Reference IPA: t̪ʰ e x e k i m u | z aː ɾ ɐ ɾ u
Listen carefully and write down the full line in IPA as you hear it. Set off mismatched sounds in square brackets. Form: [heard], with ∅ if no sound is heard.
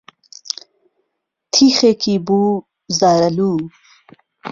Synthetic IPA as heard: t̪ʰ [i] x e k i [b] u | z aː ɾ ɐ [l] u

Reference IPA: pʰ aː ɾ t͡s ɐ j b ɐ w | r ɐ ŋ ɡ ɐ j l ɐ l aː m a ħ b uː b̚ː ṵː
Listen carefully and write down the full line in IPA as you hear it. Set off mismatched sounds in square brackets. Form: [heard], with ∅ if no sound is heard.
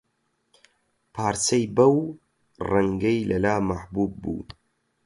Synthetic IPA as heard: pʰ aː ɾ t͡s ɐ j b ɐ w | r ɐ ŋ ɡ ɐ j l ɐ l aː m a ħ b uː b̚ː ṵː

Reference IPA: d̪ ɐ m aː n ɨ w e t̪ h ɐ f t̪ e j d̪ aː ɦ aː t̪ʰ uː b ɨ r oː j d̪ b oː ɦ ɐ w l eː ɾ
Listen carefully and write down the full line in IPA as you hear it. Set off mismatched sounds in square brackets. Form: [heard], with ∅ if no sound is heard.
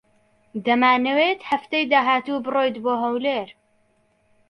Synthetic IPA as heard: d̪ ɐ m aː n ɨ w e t̪ h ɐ f t̪ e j d̪ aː ɦ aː [t̪] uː b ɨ r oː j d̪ b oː ɦ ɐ w l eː ɾ

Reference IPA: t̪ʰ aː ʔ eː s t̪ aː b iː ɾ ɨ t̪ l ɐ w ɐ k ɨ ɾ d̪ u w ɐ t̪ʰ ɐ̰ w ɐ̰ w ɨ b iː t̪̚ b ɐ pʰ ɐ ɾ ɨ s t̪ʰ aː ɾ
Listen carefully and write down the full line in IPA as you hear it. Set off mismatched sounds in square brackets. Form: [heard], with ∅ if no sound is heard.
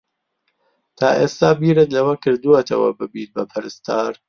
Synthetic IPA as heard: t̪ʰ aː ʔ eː s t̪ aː b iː ɾ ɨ t̪ l ɐ w ɐ k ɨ ɾ d̪ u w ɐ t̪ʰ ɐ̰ w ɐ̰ [b] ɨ b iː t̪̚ b ɐ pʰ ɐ ɾ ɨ s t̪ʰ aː ɾ

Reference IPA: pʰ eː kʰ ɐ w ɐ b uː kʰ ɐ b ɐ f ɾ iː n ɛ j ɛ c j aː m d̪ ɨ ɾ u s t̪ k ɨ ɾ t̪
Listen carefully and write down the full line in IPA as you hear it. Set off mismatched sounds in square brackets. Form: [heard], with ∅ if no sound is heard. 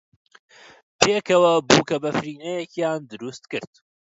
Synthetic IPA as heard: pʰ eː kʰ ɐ w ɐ b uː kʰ ɐ b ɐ f ɾ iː n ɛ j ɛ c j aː [n] d̪ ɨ ɾ u s t̪ k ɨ ɾ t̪

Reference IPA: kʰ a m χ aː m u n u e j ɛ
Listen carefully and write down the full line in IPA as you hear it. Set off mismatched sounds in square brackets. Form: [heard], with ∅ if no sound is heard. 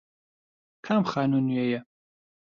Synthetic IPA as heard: kʰ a m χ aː [n] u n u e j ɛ

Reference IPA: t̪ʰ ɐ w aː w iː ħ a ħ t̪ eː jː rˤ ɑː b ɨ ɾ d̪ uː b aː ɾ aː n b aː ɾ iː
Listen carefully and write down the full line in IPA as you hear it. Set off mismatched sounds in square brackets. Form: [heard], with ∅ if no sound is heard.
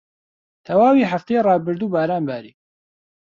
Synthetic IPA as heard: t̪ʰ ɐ w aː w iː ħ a [f] t̪ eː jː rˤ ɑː b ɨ ɾ d̪ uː b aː ɾ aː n b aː ɾ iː

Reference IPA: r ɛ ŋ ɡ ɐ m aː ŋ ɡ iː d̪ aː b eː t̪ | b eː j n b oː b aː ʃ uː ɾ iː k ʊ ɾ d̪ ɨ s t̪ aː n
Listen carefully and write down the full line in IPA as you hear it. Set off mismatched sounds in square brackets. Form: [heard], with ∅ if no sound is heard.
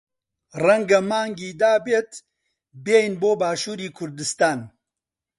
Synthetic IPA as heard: r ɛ ŋ ɡ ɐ m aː ŋ ɡ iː d̪ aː b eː t̪ | b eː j n b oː b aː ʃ uː ɾ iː [kʰ] ʊ ɾ d̪ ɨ s t̪ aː n

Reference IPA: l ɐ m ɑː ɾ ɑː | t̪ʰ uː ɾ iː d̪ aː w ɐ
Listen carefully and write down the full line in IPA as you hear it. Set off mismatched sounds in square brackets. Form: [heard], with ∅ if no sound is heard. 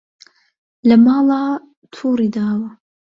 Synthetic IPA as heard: l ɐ m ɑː [l] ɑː | t̪ʰ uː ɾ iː d̪ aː w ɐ

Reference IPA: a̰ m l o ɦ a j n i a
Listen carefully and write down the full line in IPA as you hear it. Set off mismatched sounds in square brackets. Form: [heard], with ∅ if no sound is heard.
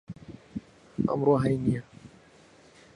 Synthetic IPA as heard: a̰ m [ɾ] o ɦ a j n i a

